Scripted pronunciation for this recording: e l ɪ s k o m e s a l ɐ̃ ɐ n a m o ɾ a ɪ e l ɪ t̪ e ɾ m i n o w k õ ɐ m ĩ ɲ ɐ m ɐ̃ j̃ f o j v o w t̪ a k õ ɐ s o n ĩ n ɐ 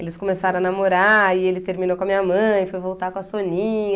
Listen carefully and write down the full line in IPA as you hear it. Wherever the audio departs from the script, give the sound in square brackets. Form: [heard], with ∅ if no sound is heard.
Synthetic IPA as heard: e l ɪ s k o m e s a [ɾ] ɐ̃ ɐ n a m o ɾ a ɪ e l ɪ t̪ e ɾ m i n o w k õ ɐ m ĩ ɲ ɐ m ɐ̃ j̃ f o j v o w t̪ a k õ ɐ s o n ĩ [ɲ] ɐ